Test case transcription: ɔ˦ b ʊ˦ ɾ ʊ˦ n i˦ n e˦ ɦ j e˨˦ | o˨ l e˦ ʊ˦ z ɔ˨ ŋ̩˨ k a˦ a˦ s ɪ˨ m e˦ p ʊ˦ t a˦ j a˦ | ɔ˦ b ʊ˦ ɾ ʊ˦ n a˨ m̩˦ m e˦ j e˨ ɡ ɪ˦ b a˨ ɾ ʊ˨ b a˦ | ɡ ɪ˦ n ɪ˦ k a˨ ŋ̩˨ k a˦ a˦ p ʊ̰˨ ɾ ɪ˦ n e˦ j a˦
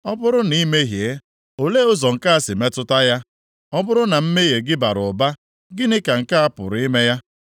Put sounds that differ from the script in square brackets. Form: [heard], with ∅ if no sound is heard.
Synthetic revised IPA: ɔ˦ b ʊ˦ ɾ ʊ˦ n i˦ [m] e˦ ɦ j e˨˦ | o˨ l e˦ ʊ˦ z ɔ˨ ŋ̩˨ k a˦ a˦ s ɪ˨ m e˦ [t] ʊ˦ t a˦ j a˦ | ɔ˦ b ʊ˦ ɾ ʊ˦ n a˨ m̩˦ m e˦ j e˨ ɡ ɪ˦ b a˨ ɾ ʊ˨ b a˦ | ɡ ɪ˦ n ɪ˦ k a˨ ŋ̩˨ k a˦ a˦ p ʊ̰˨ ɾ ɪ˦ [m] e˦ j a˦